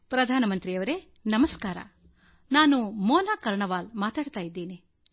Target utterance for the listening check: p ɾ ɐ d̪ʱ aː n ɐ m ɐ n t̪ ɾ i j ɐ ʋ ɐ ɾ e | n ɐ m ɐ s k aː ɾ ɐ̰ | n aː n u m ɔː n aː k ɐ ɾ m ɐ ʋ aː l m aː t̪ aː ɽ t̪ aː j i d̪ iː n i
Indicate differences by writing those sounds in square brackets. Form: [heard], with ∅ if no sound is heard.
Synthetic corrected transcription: p ɾ ɐ d̪ʱ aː n ɐ m ɐ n t̪ ɾ i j ɐ ʋ ɐ ɾ e | n ɐ m ɐ s k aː ɾ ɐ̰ | n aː n u m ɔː n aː k ɐ ɾ [ɳ] ɐ ʋ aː l m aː t̪ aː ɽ t̪ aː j i [d̪ː] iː n i